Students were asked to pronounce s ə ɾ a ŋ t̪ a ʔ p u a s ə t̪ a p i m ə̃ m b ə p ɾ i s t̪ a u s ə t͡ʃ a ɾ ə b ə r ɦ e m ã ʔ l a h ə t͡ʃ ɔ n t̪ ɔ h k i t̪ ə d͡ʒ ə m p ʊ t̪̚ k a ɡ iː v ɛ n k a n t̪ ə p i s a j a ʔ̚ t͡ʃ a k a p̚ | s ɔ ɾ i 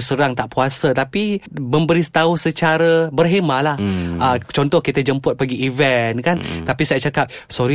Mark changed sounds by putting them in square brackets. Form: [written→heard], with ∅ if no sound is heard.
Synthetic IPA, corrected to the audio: s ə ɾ a ŋ t̪ a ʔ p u a s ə t̪ a p i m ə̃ m b ə [p→∅] ɾ i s t̪ a u s ə t͡ʃ a ɾ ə b ə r ɦ e m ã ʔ l a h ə t͡ʃ ɔ n t̪ ɔ h k i t̪ ə d͡ʒ ə m p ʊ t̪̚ [k→p] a ɡ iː v ɛ n k a n t̪ [ə→a] p i s a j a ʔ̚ t͡ʃ a k a p̚ | s ɔ ɾ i